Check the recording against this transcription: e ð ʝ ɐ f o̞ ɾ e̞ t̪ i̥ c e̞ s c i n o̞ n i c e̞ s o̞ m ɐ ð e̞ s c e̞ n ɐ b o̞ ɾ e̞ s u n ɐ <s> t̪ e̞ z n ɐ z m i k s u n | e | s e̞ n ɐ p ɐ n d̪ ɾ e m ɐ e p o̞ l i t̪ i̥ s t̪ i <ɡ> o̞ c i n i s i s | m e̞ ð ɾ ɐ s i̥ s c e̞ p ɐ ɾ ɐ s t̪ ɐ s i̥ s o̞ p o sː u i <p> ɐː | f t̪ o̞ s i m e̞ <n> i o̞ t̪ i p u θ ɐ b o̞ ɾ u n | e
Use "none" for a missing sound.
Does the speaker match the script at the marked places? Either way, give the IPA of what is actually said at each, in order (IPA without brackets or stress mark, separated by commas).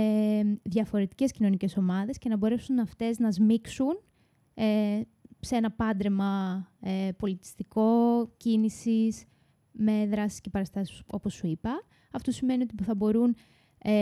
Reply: f, k, p, n